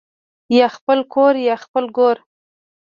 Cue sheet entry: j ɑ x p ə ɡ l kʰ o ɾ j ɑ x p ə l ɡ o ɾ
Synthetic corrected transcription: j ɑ x p ə l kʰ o ɾ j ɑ x p ə l ɡ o ɾ